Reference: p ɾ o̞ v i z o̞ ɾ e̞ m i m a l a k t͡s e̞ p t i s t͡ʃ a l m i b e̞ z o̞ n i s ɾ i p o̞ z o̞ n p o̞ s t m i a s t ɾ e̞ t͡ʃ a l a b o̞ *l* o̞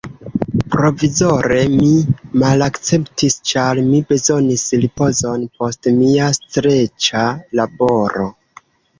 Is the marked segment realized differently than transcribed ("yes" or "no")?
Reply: yes